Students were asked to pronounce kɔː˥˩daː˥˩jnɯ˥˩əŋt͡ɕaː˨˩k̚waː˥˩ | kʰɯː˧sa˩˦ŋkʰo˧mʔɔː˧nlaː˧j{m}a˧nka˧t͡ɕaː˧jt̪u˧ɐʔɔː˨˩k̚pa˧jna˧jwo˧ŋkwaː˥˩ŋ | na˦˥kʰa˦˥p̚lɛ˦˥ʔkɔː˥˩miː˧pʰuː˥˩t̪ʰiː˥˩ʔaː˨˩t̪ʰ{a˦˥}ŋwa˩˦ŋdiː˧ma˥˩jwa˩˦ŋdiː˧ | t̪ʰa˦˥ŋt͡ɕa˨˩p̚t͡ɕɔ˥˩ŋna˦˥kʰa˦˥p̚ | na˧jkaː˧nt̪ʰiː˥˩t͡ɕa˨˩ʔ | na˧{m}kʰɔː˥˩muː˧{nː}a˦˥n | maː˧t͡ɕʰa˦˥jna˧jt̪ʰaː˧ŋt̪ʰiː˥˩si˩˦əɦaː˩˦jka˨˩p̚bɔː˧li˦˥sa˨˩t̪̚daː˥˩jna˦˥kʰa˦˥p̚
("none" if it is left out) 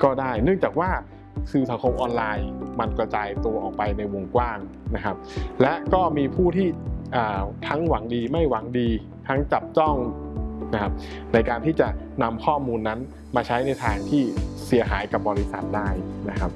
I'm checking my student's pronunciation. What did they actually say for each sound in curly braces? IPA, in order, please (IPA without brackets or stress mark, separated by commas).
m, a˦˥, m, nː